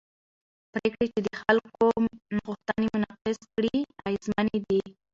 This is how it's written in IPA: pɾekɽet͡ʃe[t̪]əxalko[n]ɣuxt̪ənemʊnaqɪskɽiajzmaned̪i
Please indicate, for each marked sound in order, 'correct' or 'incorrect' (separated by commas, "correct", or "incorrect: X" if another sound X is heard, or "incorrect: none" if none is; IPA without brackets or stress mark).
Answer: incorrect: d̪, correct